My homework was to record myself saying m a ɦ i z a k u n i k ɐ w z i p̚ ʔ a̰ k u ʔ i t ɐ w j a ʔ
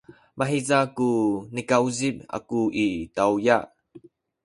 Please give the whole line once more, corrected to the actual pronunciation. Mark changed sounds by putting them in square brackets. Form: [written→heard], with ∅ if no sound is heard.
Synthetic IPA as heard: m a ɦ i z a k u n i k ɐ w z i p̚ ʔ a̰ k u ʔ i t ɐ w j a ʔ